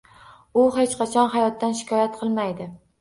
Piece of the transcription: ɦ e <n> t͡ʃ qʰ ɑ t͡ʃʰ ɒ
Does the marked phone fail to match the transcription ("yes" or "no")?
yes